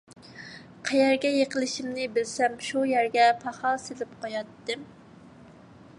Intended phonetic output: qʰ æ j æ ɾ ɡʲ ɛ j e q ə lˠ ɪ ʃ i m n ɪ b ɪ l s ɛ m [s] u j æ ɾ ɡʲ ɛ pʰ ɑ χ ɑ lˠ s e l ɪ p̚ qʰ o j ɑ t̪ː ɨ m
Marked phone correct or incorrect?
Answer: incorrect